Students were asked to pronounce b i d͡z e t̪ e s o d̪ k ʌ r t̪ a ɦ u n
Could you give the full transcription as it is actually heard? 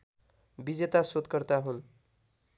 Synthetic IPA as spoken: b i d͡z e t̪ a s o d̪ k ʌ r t̪ a ɦ u n